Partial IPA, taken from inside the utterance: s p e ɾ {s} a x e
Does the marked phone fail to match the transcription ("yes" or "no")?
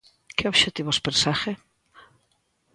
no